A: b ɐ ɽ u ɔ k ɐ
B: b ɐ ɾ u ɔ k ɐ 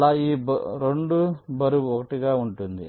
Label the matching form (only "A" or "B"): B